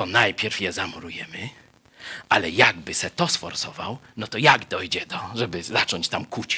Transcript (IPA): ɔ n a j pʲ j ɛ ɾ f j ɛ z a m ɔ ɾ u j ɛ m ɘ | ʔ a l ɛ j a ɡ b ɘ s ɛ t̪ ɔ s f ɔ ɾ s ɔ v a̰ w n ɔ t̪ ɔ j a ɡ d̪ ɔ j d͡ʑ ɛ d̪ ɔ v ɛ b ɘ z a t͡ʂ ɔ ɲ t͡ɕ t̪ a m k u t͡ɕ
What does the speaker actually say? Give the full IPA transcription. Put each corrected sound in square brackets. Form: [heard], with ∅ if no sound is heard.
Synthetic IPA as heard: ɔ n a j pʲ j ɛ ɾ f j ɛ z a m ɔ ɾ u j ɛ m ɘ | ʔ a l ɛ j a ɡ b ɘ s ɛ t̪ ɔ s f ɔ ɾ s ɔ v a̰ w n ɔ t̪ ɔ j a ɡ d̪ ɔ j d͡ʑ ɛ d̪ ɔ [ʐ] ɛ b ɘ z a t͡ʂ ɔ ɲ t͡ɕ t̪ a m k u t͡ɕ